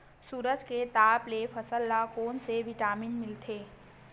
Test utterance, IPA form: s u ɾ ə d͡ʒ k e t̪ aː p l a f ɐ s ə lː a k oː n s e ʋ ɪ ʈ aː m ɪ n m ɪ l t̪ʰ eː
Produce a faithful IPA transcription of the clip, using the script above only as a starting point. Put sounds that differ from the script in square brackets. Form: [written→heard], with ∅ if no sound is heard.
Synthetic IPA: s [u→uː] ɾ ə d͡ʒ k e t̪ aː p l [a→e] f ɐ s ə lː a k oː n s e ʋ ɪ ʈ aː m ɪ n m ɪ l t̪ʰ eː